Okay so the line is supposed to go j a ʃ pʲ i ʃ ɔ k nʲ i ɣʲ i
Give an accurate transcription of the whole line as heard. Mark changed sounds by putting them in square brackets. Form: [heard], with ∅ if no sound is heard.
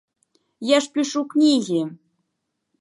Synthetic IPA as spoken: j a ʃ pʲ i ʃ [u] k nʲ i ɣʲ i